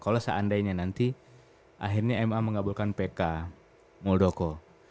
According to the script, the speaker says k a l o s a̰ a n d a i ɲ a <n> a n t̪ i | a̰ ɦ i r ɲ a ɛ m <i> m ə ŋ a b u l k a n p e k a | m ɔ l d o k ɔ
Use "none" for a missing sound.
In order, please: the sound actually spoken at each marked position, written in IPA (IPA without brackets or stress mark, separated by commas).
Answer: n, a